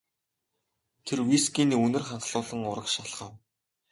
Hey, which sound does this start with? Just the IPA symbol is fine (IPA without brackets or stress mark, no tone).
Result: t̪ʰ